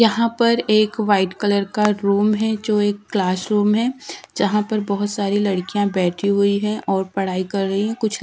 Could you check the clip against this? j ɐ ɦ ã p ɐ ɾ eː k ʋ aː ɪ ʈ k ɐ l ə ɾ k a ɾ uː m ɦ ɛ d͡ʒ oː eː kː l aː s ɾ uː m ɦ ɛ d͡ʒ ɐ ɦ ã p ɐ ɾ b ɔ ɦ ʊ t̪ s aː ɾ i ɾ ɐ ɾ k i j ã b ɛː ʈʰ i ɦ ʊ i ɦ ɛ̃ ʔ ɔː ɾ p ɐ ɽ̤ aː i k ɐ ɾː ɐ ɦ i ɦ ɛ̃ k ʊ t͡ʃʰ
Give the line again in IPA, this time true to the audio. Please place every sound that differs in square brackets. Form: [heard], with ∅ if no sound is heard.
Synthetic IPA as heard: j ɐ ɦ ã p ɐ ɾ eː k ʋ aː ɪ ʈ k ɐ l ə ɾ k a ɾ uː m ɦ ɛ d͡ʒ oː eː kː l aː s ɾ uː m ɦ ɛ d͡ʒ ɐ ɦ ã p ɐ ɾ b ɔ ɦ ʊ t̪ s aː ɾ i [l] ɐ [ɽ] k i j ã b ɛː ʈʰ i ɦ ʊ i ɦ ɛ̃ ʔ ɔː ɾ p ɐ ɽ̤ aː i k ɐ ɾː ɐ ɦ i ɦ ɛ̃ k ʊ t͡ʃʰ

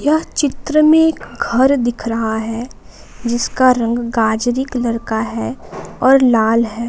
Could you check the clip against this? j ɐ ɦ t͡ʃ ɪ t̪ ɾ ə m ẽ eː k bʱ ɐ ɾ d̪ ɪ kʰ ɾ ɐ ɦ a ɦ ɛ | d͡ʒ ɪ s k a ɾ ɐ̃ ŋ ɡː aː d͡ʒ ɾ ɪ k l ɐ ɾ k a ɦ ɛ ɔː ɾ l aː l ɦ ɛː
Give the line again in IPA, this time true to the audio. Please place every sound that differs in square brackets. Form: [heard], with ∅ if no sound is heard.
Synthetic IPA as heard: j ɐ ɦ t͡ʃ ɪ t̪ ɾ ə m ẽ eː k [ɡʱ] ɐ ɾ d̪ ɪ kʰ ɾ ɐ ɦ a ɦ ɛ | d͡ʒ ɪ s k a ɾ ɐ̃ ŋ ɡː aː d͡ʒ ɾ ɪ k l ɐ ɾ k a ɦ ɛ ɔː ɾ l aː l ɦ ɛː

